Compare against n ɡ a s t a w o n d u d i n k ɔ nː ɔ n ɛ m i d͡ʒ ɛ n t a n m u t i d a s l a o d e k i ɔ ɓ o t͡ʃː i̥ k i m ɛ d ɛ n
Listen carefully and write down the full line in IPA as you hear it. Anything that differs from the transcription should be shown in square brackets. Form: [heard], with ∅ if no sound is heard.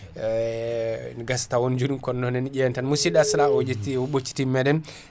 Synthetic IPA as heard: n ɡ a s t a w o n [d͡ʒ] u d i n k ɔ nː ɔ n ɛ [n] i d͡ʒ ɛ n t a n m u [s] i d a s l a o [d͡ʒ] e [t] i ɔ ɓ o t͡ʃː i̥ [t] i m ɛ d ɛ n